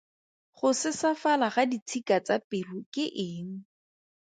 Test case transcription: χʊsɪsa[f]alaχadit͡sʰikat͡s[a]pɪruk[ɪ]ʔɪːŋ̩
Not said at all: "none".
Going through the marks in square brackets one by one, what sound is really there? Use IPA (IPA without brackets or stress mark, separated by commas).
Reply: f, a, ɪ